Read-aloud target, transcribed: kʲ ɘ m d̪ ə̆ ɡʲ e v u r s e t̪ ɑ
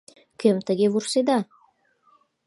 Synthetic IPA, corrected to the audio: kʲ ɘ m t̪ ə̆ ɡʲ e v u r s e d̪ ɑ